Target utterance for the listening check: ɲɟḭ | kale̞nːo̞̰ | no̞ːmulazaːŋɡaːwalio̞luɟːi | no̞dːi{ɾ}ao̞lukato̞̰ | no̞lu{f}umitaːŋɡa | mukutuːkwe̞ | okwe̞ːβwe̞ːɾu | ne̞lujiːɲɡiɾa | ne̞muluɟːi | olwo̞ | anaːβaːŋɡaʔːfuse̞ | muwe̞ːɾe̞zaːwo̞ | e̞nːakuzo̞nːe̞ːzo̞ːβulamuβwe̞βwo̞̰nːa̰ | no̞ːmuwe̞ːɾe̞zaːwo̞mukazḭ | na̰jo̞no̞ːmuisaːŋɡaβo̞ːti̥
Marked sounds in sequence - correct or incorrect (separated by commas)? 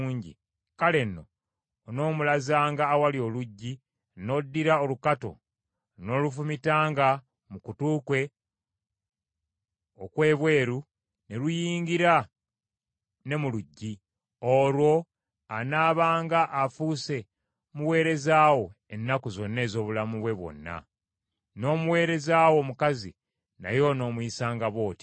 correct, correct